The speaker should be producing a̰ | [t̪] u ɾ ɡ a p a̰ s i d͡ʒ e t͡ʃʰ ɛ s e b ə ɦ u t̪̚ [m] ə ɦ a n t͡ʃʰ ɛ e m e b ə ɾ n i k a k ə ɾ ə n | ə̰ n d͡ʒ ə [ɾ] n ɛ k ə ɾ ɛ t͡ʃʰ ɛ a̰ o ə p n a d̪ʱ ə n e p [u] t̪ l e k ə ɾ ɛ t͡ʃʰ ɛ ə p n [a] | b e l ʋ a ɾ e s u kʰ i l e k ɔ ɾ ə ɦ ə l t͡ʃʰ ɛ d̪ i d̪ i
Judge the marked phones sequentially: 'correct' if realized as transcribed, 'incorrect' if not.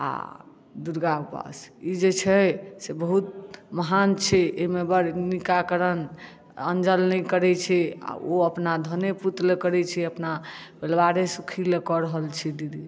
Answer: incorrect: d̪, correct, incorrect: l, correct, correct

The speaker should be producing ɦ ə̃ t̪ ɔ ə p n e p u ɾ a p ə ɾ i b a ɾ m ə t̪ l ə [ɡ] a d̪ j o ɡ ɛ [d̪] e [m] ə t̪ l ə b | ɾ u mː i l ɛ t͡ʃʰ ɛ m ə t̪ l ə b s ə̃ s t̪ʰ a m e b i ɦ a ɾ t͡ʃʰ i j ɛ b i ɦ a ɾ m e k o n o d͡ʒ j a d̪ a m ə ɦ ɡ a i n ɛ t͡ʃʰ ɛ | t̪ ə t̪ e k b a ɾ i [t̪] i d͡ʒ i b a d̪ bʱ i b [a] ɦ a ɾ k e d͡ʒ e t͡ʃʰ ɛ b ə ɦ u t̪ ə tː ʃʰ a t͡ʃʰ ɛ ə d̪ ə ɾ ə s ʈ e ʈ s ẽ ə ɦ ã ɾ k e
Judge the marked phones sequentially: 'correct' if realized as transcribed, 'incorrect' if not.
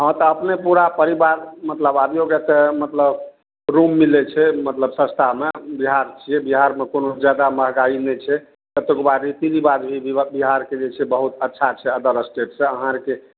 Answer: incorrect: b, incorrect: t̪, correct, correct, incorrect: i

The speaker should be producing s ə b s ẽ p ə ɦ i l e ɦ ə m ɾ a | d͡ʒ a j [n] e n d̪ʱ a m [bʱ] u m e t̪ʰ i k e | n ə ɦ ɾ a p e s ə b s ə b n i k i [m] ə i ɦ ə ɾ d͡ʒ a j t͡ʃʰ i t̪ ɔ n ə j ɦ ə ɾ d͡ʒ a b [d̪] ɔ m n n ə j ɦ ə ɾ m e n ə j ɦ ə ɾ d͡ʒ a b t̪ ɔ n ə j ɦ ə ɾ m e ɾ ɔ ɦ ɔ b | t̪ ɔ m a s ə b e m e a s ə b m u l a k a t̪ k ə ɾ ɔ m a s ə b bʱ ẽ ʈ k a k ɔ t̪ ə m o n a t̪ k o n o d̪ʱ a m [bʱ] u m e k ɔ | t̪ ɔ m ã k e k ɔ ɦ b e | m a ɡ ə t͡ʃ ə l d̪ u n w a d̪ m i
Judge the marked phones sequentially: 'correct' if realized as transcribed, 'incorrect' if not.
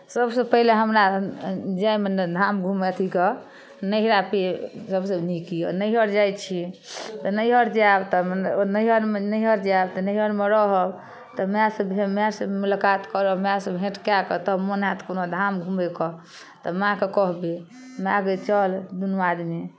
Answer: incorrect: m, incorrect: ɡʱ, incorrect: n, incorrect: t̪, incorrect: ɡʱ

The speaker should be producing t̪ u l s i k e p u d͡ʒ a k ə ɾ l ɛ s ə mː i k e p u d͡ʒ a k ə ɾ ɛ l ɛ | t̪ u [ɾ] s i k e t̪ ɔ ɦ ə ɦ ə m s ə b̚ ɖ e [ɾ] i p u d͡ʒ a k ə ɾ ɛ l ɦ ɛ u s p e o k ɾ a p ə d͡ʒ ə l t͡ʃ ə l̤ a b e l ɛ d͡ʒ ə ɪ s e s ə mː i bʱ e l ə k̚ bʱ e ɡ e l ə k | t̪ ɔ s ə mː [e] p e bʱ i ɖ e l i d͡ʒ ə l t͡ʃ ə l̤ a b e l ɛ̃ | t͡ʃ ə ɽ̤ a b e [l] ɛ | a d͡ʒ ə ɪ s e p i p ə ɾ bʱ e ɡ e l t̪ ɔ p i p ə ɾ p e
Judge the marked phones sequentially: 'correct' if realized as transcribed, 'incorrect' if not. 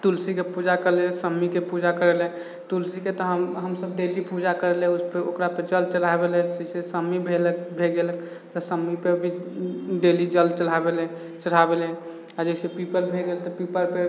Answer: incorrect: l, incorrect: l, incorrect: i, correct

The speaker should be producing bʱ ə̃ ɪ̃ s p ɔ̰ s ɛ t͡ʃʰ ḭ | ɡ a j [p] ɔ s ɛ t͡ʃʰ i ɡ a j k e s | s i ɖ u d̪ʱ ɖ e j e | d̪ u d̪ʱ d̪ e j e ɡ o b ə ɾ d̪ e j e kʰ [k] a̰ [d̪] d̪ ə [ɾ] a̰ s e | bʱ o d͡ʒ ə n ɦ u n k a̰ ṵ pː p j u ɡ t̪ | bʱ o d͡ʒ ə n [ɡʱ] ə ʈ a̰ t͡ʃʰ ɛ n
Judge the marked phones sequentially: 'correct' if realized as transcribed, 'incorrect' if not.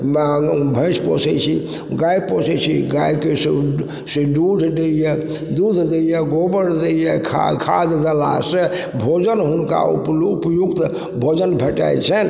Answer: correct, incorrect: kʰ, correct, incorrect: l, incorrect: bʱ

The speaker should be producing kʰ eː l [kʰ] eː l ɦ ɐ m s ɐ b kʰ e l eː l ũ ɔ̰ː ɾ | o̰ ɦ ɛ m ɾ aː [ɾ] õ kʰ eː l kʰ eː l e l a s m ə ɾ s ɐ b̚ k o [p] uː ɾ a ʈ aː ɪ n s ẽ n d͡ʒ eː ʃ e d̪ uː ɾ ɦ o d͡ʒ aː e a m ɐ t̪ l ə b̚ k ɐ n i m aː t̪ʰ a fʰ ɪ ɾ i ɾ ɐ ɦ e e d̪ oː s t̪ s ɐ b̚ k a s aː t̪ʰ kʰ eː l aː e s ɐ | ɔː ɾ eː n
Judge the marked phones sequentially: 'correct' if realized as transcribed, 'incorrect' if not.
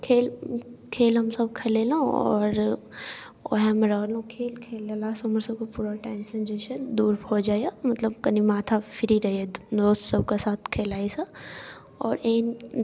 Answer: correct, incorrect: l, correct

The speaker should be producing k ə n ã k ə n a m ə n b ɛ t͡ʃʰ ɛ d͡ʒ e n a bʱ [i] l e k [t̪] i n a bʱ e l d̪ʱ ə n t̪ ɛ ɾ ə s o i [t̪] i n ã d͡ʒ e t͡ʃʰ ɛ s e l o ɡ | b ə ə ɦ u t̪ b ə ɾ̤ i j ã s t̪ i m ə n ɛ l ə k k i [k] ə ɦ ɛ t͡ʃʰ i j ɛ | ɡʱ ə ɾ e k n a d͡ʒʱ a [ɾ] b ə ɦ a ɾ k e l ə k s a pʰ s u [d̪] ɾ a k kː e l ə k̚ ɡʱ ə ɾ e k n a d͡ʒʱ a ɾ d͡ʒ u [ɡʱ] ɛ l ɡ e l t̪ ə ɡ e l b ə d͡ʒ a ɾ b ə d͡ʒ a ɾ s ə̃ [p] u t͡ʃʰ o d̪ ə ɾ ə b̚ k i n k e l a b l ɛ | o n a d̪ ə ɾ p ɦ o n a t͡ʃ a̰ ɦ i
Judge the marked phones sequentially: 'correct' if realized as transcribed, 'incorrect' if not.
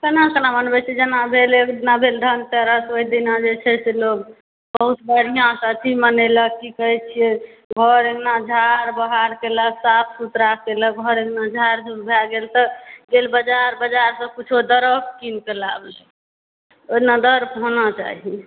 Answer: incorrect: e, incorrect: d̪, incorrect: d̪, correct, correct, incorrect: t̪, incorrect: bʱ, incorrect: k

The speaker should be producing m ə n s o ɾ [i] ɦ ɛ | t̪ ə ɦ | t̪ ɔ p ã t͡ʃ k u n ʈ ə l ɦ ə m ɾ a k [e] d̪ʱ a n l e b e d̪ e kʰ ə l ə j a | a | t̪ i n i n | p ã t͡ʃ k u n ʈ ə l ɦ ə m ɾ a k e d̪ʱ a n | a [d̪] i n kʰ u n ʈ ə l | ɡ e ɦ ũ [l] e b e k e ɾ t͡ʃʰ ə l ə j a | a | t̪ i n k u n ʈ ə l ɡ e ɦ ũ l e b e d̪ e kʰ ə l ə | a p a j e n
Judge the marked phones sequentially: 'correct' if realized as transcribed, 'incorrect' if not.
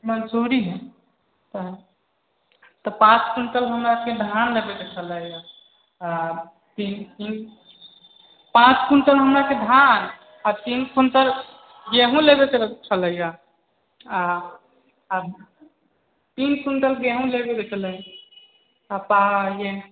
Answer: correct, correct, incorrect: t̪, correct

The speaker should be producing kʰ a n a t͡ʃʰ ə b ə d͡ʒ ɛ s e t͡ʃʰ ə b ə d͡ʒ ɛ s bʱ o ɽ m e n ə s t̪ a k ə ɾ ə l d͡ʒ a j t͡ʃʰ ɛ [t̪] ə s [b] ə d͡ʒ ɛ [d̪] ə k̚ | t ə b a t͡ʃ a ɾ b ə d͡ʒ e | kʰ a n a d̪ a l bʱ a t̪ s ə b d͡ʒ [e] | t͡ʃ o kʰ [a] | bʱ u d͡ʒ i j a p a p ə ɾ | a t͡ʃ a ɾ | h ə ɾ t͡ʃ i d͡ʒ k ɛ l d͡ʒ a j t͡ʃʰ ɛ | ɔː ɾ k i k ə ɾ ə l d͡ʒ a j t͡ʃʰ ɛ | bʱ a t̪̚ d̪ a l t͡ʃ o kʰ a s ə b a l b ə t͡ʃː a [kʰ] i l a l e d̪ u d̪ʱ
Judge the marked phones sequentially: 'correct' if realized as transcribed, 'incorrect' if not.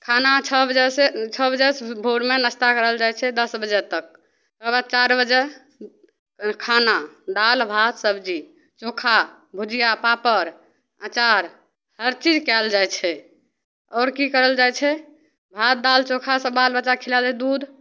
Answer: incorrect: d̪, correct, incorrect: t̪, incorrect: i, correct, correct

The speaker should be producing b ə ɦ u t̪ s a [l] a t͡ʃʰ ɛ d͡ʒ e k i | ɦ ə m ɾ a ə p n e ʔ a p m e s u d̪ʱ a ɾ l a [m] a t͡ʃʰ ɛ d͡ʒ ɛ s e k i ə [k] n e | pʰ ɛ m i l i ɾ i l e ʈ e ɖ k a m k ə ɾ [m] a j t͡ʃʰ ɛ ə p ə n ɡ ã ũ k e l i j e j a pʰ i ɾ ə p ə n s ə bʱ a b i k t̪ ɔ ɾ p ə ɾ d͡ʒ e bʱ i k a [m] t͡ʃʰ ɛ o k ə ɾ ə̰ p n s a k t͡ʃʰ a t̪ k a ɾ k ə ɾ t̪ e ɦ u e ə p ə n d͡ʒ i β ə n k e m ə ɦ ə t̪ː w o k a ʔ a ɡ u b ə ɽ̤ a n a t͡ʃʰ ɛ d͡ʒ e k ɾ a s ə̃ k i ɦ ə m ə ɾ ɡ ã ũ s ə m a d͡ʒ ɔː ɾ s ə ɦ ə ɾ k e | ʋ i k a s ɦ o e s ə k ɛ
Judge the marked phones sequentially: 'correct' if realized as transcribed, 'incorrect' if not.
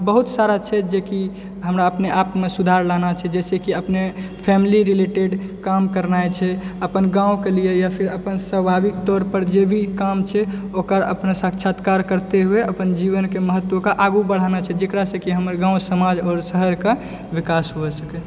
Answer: incorrect: ɾ, incorrect: n, incorrect: p, incorrect: n, correct

